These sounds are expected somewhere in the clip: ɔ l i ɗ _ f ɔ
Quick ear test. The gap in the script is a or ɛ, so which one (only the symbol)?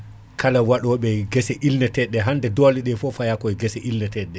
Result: ɛ